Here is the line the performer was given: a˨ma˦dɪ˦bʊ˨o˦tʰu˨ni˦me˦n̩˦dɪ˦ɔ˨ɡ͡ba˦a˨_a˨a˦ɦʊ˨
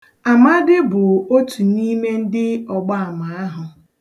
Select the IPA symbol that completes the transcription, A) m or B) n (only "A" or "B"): A